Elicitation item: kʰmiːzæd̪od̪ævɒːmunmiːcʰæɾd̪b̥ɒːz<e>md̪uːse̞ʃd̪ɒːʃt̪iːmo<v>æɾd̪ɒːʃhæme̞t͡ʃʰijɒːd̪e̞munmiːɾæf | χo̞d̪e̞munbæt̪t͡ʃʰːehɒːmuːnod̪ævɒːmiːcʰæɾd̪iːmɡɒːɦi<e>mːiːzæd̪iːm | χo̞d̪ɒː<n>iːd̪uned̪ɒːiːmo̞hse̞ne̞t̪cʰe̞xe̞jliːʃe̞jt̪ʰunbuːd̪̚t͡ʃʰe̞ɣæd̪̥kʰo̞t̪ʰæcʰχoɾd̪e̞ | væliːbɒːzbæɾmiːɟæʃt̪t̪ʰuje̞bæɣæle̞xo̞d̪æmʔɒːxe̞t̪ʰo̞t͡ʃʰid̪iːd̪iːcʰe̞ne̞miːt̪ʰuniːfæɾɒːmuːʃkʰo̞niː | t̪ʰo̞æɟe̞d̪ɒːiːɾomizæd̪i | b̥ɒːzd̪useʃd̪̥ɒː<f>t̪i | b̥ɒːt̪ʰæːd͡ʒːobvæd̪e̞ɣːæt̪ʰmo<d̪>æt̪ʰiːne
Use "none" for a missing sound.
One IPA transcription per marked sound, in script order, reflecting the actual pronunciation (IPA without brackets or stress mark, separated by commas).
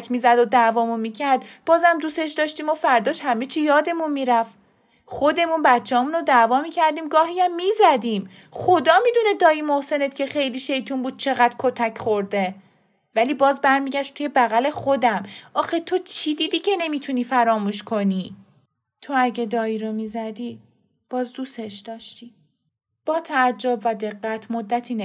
æ, f, æ, m, ʃ, d̪ː